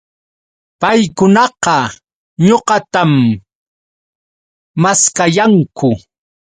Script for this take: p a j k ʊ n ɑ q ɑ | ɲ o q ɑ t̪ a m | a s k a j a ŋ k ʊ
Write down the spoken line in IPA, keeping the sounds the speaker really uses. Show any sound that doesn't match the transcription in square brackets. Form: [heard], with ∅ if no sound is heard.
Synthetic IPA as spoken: p a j k ʊ n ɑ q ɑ | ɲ o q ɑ t̪ a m | a s k a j a ŋ k ʊ